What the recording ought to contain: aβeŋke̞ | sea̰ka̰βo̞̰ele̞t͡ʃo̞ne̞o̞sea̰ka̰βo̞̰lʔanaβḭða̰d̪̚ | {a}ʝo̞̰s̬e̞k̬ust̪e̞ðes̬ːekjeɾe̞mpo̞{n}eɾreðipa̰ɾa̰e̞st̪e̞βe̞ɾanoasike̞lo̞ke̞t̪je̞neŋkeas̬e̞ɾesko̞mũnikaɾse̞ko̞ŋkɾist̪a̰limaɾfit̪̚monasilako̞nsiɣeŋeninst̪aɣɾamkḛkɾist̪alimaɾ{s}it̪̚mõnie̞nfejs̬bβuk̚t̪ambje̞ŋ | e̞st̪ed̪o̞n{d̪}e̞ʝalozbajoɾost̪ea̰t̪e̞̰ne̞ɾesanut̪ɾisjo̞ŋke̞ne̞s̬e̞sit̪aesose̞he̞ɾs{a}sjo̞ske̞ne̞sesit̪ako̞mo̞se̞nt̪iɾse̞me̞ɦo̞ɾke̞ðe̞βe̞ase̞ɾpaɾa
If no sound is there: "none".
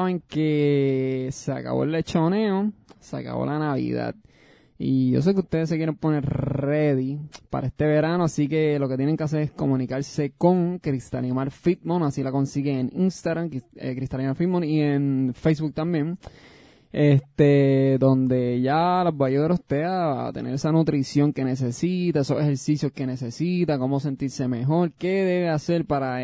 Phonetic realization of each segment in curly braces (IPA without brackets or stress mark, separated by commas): i, n, f, d̪, i